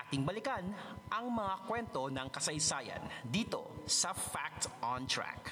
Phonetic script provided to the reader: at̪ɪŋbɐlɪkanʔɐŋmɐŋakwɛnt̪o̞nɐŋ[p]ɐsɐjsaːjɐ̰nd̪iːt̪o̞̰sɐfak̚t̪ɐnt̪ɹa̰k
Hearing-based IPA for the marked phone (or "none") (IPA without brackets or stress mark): k